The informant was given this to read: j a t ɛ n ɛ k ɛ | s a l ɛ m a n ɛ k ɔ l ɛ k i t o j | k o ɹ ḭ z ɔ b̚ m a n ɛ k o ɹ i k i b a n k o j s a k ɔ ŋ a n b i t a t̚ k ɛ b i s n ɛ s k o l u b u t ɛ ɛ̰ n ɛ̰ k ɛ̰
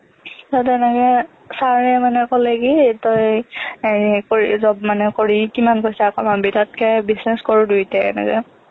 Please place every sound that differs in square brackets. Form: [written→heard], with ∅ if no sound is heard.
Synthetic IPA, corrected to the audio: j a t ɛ n ɛ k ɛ | s a [l→ɹ] ɛ m a n ɛ k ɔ l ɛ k i t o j | k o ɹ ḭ z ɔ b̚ m a n ɛ k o ɹ i k i [b→m] a n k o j s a k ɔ [ŋ→m] a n b i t a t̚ k ɛ b i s n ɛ s k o [l→ɹ] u [b→d] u t ɛ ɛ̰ n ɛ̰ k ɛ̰

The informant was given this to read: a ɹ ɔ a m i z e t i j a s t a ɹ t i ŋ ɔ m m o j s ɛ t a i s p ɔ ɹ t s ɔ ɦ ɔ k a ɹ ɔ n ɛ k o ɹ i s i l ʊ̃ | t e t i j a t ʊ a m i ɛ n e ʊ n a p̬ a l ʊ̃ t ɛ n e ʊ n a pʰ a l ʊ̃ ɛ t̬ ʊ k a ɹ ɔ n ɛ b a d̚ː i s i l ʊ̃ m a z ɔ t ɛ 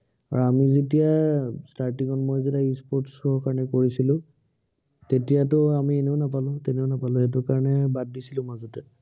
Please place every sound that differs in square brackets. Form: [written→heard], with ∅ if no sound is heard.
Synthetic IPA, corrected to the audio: a ɹ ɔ a m i z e t i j a s t a ɹ t i ŋ ɔ [m→n] m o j [s→z] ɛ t a i s p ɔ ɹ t s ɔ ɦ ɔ k a ɹ ɔ n ɛ k o ɹ i s i l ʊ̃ | t e t i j a t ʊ a m i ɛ n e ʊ n a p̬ a l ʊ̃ t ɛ n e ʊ n a [pʰ→p] a l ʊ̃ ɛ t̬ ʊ k a ɹ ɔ n ɛ b a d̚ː i s i l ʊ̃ m a z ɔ t ɛ

